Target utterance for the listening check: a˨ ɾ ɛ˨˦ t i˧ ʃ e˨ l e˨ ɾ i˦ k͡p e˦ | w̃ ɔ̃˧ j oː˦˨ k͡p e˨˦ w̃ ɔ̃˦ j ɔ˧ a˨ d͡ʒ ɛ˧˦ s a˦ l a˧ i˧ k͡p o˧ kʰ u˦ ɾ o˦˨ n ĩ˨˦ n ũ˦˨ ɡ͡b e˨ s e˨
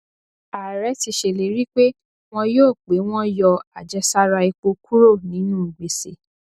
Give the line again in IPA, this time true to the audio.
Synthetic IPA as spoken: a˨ ɾ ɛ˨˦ t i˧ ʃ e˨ l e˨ ɾ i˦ k͡p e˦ | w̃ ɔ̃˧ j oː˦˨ k͡p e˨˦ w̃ ɔ̃˦ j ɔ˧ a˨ d͡ʒ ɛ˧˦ s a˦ ɾ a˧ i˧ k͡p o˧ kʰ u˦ ɾ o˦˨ n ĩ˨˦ n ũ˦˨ ɡ͡b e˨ s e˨

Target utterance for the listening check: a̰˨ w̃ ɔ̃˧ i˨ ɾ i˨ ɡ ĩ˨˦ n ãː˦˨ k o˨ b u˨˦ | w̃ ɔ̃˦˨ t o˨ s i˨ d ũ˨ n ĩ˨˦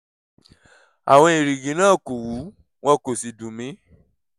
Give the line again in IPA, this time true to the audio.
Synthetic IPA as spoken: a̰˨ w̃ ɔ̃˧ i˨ ɾ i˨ ɡ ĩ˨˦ n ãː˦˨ k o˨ w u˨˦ | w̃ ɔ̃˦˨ k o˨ s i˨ d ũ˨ m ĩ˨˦

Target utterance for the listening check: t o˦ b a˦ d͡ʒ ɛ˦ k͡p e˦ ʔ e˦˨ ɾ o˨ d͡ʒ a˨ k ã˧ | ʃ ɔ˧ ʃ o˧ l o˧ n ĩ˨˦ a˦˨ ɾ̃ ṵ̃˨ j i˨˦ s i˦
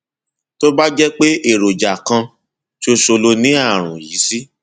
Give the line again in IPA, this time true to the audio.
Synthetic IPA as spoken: t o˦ b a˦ d͡ʒ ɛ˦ k͡p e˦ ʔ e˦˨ ɾ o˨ d͡ʒ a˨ k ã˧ | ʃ o˧ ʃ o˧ l o˧ n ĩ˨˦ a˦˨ ɾ̃ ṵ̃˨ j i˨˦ s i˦

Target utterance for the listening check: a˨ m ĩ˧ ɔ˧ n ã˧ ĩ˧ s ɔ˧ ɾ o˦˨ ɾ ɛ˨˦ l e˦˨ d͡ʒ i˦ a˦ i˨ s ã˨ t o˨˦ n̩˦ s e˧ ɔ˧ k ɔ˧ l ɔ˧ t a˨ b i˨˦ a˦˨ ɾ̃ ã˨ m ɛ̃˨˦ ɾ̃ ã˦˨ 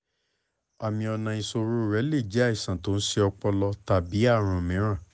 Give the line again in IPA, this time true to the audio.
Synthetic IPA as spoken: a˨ m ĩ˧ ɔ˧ n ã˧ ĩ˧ s o˧ ɾ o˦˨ ɾ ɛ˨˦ l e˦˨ d͡ʒ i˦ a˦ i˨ s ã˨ t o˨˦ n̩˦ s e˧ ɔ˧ k͡p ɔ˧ l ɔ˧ t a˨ b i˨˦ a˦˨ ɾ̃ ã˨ m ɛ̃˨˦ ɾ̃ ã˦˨

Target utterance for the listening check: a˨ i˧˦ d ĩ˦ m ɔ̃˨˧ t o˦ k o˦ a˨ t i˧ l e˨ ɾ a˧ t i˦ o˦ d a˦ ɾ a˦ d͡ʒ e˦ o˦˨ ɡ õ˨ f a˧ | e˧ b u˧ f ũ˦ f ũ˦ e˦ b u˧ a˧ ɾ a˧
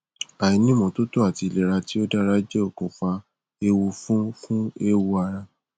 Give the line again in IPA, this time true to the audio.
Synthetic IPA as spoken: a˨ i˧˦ n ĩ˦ m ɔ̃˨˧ t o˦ t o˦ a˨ t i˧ l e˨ ɾ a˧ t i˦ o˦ d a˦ ɾ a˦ d͡ʒ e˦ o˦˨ k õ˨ f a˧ | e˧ w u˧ f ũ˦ f ũ˦ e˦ w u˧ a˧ ɾ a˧

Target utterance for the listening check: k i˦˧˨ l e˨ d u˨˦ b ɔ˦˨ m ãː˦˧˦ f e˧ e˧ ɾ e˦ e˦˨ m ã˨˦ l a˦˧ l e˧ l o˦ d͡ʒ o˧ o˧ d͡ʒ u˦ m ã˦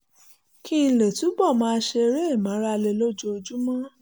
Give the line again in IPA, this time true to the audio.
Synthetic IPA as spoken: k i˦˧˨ l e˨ t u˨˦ b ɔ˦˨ m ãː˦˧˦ ʃ e˧ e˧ ɾ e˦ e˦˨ m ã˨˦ ɾ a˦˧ l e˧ l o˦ d͡ʒ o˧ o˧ d͡ʒ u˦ m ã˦

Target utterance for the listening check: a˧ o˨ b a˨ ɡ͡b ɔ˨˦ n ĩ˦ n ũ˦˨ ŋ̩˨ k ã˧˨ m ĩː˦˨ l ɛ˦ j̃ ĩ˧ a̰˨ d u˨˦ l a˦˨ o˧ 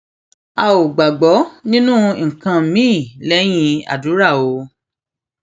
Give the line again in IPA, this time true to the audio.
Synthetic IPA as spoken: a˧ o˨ ɡ͡b a˨ ɡ͡b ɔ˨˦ n ĩ˦ n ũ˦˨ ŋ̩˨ k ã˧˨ m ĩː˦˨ l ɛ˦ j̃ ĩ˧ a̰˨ d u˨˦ ɾ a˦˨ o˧

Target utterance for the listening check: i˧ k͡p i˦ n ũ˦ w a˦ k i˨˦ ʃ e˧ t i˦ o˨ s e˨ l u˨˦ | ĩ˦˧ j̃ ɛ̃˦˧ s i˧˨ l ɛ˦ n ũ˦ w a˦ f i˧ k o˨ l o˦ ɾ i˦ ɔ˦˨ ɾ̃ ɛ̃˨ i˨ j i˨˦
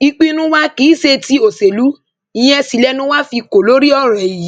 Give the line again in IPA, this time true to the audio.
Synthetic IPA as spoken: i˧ k͡p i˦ n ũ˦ w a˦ k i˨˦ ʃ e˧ t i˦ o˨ s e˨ l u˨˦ | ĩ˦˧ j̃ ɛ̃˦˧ s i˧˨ l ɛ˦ n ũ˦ w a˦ f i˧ k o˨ l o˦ ɾ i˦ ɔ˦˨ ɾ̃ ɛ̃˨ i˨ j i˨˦

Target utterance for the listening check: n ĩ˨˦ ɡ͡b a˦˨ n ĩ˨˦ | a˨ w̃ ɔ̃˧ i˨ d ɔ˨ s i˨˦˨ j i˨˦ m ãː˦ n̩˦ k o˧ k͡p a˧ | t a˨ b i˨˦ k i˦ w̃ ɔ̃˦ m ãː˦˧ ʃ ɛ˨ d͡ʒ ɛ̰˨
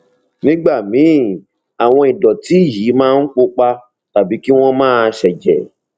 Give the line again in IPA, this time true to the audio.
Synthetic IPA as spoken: n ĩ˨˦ ɡ͡b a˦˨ m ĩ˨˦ | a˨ w̃ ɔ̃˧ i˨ d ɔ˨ t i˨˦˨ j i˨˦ m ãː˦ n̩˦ k͡p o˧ k͡p a˧ | t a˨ b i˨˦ k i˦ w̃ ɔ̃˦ m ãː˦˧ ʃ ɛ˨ d͡ʒ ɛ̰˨

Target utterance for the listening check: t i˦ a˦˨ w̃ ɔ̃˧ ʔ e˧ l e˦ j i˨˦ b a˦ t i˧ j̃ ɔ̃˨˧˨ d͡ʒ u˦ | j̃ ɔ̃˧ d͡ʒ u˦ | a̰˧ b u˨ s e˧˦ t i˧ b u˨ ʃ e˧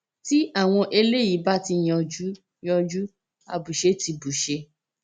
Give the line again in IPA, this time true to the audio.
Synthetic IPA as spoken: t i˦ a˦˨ w̃ ɔ̃˧ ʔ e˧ l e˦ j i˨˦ b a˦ t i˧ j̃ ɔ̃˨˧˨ d͡ʒ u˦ | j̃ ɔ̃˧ d͡ʒ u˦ | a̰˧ b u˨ ʃ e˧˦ t i˧ b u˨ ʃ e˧

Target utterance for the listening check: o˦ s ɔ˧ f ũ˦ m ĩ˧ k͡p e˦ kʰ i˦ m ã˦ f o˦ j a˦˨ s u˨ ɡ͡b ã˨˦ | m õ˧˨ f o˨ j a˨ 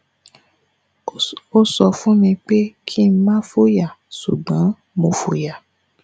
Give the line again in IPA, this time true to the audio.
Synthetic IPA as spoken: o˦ s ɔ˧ f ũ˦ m ĩ˧ k͡p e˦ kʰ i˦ m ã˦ f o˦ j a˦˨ s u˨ ɡ͡b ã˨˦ | m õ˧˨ f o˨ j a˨

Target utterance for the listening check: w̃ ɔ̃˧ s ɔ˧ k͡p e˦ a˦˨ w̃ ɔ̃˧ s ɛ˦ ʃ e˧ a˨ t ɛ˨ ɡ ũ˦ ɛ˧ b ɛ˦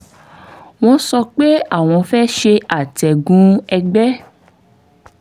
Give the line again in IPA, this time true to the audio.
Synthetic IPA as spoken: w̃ ɔ̃˧ s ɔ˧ k͡p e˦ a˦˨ w̃ ɔ̃˧ f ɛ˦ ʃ e˧ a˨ t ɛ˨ ɡ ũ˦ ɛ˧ ɡ͡b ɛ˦

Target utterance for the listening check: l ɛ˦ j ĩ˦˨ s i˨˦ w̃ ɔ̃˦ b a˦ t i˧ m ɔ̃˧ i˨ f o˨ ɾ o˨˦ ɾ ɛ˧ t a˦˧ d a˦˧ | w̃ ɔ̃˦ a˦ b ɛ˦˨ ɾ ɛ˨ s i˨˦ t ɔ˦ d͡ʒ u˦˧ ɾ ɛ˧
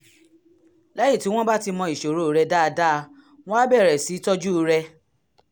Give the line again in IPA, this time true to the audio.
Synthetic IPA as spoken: l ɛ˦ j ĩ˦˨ t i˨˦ w̃ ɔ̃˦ b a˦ t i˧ m ɔ̃˧ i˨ ʃ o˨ ɾ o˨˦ ɾ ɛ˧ d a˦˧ d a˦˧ | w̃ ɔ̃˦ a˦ b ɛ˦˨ ɾ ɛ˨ s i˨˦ t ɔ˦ d͡ʒ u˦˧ ɾ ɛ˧

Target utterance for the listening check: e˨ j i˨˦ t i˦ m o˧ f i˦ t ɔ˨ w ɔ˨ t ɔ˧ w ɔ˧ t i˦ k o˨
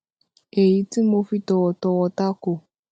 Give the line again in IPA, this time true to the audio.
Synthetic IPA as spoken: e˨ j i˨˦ t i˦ m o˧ f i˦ t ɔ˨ w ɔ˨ t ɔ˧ w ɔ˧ t a˦ k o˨

